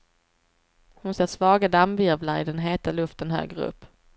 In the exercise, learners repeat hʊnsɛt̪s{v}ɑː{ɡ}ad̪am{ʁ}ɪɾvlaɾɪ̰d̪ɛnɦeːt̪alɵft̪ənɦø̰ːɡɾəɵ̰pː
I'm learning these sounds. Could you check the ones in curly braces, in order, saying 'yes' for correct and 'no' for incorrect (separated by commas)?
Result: yes, yes, no